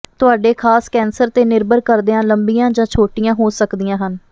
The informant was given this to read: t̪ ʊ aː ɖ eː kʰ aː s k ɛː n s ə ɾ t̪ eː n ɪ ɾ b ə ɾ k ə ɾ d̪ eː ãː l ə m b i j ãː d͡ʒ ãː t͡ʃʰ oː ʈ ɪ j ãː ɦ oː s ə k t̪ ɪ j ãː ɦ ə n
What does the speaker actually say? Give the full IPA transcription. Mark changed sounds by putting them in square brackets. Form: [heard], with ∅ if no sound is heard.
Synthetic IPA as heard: t̪ ʊ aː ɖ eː kʰ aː s k ɛː n s ə ɾ t̪ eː n ɪ ɾ b ə ɾ k ə ɾ d̪ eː ãː l ə m b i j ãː d͡ʒ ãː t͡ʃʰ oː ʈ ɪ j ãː ɦ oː s ə k [d̪] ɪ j ãː ɦ ə n